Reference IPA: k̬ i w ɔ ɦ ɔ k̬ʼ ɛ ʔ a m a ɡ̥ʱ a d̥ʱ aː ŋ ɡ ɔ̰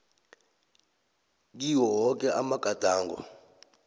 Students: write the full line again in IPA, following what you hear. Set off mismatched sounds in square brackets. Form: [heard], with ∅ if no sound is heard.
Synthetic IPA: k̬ i w ɔ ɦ ɔ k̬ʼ ɛ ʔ a m a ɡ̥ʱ a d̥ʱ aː ŋ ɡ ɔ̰